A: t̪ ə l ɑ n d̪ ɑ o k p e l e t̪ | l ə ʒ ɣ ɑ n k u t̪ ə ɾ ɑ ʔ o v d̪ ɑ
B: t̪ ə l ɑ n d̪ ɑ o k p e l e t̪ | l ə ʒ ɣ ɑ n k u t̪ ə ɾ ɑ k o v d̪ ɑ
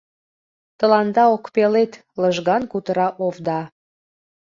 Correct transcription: A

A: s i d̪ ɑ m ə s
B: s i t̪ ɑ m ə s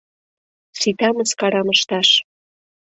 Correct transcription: B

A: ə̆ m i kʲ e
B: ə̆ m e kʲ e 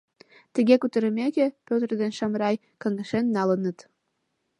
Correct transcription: B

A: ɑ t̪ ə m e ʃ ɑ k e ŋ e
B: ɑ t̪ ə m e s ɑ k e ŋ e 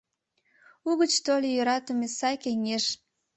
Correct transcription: B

